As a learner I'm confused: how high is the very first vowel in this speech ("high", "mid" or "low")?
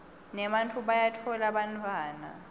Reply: mid